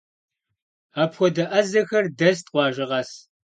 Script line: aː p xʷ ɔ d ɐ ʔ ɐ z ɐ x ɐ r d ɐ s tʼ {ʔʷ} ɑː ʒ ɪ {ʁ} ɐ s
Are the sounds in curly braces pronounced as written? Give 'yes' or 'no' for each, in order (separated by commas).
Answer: no, yes